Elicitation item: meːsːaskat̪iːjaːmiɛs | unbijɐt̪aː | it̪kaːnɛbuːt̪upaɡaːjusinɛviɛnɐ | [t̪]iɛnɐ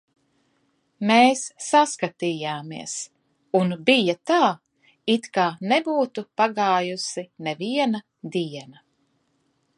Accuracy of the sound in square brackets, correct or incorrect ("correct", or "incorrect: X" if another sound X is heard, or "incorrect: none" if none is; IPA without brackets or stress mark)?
incorrect: d̪